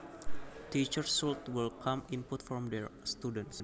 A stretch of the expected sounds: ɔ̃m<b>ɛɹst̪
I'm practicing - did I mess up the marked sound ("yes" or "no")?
yes